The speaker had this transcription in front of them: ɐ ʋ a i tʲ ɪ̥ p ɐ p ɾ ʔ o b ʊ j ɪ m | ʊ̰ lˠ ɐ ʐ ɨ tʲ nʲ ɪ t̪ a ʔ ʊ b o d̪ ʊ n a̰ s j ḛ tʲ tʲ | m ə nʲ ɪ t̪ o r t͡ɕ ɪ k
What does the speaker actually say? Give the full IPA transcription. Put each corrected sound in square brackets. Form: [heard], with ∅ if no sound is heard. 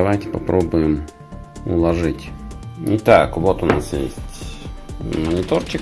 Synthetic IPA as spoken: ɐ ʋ a [j] tʲ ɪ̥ p ɐ p ɾ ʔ o b ʊ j ɪ m | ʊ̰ lˠ ɐ ʐ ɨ tʲ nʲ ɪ t̪ a [k] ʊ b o [t̪] ʊ n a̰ s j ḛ [sʲ] tʲ | m ə nʲ ɪ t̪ o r t͡ɕ ɪ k

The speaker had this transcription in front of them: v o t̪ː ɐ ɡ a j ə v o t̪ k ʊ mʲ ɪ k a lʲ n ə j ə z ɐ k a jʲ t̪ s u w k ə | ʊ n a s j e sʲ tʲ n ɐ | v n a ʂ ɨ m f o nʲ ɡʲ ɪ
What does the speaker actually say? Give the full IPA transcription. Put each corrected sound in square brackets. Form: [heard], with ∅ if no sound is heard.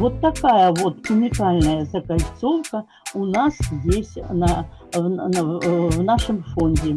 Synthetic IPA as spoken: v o t̪ː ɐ [k] a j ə v o t̪ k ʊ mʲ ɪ k a lʲ n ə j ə z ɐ k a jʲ t̪ s [o] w k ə | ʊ n a s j e sʲ tʲ n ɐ | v n a ʂ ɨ m f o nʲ [dʲ] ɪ

